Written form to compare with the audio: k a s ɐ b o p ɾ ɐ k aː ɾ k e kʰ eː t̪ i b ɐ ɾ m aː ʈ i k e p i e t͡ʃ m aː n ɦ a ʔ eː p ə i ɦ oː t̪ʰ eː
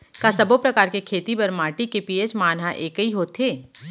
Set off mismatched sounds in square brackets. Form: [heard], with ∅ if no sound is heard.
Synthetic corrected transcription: k a s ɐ b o p ɾ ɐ k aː ɾ k e kʰ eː t̪ i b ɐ ɾ m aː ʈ i k e p i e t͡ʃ m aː n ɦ a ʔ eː [k] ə i ɦ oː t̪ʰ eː

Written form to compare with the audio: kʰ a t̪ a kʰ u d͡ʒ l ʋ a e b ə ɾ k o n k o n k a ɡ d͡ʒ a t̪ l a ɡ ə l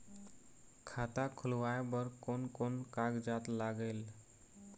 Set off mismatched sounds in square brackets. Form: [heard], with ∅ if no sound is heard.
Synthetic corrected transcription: kʰ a t̪ a kʰ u [∅] l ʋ a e b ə ɾ k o n k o n k a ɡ d͡ʒ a t̪ l a ɡ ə l

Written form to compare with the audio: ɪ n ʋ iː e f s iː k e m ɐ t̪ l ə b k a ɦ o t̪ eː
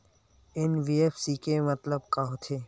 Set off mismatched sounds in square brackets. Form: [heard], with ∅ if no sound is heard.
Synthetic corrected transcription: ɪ n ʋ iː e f s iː k e m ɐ t̪ l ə b k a ɦ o [t̪ʰ] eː

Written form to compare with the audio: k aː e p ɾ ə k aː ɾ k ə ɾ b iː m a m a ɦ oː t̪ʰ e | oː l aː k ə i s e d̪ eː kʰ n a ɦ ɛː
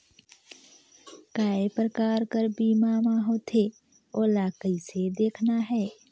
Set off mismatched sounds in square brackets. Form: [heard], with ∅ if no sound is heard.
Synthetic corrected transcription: k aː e p ɾ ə k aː ɾ k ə ɾ b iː m a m a ɦ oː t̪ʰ e | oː l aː k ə i s e d̪ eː kʰ n a ɦ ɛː

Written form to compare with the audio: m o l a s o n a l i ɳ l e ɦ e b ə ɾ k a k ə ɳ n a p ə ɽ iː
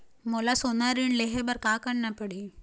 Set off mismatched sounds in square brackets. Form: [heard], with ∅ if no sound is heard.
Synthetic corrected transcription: m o l a s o n a [ɾ] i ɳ l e ɦ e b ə ɾ k a k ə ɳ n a p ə ɽ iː

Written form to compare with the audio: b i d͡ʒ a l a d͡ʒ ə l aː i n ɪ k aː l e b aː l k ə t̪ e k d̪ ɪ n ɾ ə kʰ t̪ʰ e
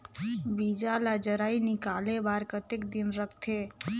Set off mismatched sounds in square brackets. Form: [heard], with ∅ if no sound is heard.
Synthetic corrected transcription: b i d͡ʒ a l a d͡ʒ ə [ɾ] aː i n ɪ k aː l e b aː [ɾ] k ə t̪ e k d̪ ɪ n ɾ ə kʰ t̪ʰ e

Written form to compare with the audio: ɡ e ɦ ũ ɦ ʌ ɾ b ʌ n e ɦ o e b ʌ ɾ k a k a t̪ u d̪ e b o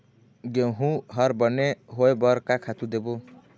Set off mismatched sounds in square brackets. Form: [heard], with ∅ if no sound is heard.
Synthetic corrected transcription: ɡ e ɦ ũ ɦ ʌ ɾ b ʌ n e ɦ o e b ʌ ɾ k a [kʰ] a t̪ u d̪ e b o

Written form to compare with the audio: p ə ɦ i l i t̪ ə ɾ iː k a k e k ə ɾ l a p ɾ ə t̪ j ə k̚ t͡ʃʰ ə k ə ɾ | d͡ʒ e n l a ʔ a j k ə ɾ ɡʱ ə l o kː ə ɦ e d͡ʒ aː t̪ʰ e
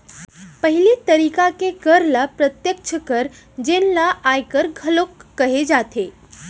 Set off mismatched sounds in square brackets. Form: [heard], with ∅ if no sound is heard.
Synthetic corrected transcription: p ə ɦ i l i t̪ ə ɾ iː k a k e k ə ɾ l a p ɾ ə t̪ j ə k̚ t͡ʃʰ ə k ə ɾ | d͡ʒ e n l a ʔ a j k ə ɾ ɡʱ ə l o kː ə ɦ e d͡ʒ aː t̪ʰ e

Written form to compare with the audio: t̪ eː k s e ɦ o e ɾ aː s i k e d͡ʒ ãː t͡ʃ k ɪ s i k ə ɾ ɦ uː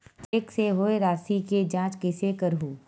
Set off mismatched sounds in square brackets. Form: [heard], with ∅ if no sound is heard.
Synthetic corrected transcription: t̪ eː k s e ɦ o e ɾ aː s i k e d͡ʒ ãː t͡ʃ k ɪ s [e] k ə ɾ ɦ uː

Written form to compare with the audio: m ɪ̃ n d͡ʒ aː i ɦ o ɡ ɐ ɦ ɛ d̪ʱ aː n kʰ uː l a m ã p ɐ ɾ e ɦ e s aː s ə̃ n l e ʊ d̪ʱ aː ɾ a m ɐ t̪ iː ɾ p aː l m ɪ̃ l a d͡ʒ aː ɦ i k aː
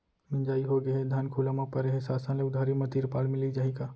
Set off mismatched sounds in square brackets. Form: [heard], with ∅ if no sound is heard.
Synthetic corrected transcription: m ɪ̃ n d͡ʒ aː i ɦ o ɡ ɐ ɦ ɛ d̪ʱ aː n kʰ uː l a m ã p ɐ ɾ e ɦ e s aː s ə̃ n l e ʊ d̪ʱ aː ɾ [i] m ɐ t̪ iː ɾ p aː l m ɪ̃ l [i] d͡ʒ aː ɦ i k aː

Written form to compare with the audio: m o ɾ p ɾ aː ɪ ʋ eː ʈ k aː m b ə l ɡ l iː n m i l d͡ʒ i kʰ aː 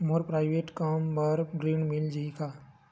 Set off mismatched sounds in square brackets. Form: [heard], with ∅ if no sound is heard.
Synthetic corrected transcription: m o ɾ p ɾ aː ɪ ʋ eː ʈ k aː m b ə [ɾ] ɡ [ɾ] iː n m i l d͡ʒ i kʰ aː

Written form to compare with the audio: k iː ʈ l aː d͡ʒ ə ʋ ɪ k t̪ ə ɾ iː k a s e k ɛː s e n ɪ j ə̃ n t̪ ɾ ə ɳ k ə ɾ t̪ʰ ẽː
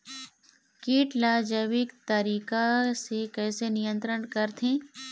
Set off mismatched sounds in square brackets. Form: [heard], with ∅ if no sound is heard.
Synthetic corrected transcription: k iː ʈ l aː d͡ʒ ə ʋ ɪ k t̪ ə ɾ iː k a s e k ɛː s e n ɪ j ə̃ n t̪ ɾ ə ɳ k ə ɾ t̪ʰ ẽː

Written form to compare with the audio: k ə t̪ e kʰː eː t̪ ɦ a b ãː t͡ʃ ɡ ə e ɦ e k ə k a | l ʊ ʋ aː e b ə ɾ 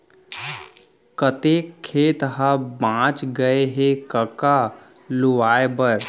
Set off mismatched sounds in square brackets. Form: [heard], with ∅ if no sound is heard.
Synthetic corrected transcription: k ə t̪ e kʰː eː t̪ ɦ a b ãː t͡ʃ ɡ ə e ɦ e k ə k a | l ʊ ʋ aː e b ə ɾ

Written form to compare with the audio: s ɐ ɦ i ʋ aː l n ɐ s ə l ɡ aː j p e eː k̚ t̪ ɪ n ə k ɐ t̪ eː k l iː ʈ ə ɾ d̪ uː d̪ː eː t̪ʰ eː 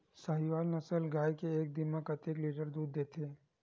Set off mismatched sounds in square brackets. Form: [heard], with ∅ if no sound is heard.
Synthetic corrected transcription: s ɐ ɦ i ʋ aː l n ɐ s ə l ɡ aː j [k] e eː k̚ [d̪] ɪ [m] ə k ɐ t̪ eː k l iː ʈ ə ɾ d̪ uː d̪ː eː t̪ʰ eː

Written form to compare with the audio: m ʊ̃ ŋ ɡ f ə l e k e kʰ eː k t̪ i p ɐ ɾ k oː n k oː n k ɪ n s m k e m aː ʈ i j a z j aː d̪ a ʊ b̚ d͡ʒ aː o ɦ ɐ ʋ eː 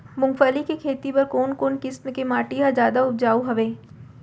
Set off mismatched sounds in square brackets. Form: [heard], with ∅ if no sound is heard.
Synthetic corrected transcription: m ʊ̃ ŋ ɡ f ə l [i] k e kʰ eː [∅] t̪ i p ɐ ɾ k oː n k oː n k ɪ [∅] s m k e m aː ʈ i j a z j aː d̪ a ʊ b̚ d͡ʒ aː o ɦ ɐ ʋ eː

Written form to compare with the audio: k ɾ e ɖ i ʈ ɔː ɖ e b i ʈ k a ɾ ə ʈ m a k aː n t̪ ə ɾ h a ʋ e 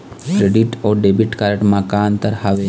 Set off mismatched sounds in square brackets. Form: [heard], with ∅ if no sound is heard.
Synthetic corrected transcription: k ɾ e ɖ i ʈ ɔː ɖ e b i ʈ k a ɾ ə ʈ m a k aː n t̪ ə ɾ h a ʋ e

